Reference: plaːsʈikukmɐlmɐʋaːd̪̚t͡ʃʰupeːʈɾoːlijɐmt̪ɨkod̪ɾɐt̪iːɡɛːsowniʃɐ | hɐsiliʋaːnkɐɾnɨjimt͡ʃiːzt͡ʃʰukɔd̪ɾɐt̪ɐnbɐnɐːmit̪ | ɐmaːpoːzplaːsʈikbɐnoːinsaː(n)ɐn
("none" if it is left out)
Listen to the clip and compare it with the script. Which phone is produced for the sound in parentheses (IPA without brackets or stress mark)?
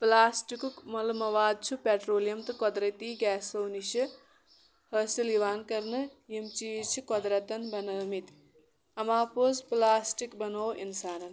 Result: n